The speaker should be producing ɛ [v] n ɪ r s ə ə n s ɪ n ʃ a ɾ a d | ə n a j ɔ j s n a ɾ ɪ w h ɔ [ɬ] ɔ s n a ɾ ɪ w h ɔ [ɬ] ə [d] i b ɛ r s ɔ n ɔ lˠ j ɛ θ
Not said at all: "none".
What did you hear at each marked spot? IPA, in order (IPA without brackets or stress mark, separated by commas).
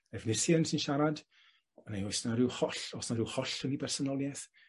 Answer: v, ɬ, ɬ, n